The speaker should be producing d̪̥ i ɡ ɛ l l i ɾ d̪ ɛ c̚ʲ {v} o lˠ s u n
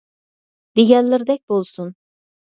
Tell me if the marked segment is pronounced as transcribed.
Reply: no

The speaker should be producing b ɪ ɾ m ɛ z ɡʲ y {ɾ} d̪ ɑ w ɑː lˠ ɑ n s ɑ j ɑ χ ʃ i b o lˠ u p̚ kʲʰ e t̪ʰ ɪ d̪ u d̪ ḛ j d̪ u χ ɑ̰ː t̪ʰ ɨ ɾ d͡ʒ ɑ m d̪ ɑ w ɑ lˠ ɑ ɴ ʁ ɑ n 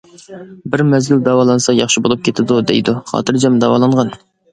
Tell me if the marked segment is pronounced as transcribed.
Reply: no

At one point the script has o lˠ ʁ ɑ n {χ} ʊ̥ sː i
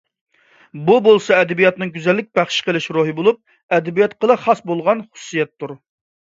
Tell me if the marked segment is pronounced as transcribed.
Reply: yes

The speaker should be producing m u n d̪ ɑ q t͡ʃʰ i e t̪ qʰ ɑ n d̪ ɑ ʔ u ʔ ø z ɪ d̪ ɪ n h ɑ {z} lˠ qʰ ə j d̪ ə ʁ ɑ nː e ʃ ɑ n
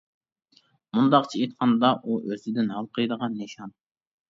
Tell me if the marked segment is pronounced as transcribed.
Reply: no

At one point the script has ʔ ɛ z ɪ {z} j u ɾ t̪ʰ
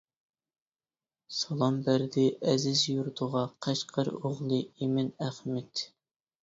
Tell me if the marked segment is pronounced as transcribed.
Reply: yes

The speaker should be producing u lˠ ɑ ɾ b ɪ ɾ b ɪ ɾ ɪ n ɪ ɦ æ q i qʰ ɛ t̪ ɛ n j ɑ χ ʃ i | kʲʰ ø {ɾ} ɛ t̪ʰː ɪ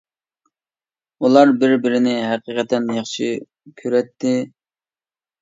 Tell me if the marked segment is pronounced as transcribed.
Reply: yes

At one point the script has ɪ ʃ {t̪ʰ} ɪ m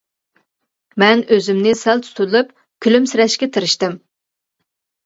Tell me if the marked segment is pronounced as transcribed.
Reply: no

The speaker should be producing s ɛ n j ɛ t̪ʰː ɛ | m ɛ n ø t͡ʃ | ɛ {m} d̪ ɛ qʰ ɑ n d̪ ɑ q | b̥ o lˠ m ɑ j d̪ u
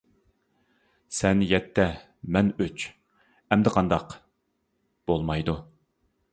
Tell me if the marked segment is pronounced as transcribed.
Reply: yes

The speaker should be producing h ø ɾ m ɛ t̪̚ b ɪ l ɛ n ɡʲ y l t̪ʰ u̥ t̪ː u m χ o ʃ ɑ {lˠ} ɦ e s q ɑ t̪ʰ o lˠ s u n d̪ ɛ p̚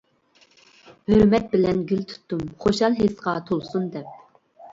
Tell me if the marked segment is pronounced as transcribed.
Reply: yes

